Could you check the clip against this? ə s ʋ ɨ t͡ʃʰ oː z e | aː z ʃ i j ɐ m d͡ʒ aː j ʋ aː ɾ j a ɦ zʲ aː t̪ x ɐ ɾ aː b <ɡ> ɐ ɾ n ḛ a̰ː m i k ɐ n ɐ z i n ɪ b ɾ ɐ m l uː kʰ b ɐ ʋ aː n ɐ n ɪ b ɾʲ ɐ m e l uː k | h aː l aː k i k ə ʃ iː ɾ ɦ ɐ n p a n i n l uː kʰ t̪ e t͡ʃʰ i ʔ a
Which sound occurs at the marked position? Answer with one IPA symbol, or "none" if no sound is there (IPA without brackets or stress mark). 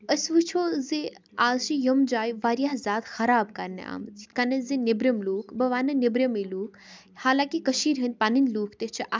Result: k